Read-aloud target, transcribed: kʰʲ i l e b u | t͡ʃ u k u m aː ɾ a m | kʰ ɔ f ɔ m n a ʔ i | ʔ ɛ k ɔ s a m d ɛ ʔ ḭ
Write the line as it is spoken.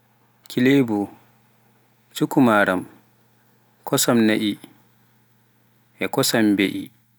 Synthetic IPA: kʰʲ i l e b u | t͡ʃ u k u m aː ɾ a m | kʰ ɔ s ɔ m n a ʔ i | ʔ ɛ k ɔ s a m b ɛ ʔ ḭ